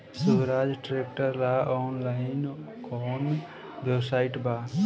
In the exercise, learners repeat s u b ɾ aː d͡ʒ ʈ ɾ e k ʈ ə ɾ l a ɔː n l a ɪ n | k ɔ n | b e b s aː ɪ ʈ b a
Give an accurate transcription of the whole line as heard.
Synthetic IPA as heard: s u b ɾ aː d͡ʒ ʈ ɾ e k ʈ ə ɾ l a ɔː n l a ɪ n | k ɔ n | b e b s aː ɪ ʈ b a